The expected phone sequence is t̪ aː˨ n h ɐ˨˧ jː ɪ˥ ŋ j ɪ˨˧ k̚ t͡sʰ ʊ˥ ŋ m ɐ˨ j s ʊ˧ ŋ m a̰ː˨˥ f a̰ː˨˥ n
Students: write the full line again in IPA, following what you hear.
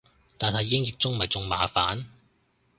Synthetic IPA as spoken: t̪ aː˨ n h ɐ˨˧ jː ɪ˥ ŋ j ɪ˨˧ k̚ t͡s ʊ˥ ŋ m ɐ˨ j t͡s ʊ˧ ŋ m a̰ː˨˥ f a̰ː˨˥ n